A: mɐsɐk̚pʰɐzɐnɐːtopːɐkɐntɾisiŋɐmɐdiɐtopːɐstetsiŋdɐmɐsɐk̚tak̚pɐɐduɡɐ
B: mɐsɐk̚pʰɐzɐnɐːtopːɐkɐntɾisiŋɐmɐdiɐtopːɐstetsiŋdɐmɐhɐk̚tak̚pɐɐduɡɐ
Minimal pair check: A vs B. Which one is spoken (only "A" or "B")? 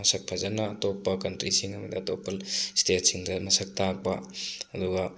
A